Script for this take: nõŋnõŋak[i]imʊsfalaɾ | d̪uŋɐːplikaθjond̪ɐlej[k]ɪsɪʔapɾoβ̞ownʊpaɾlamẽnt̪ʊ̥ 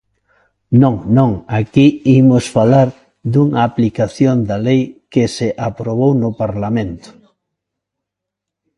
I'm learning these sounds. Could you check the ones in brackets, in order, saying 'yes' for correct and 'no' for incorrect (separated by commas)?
yes, yes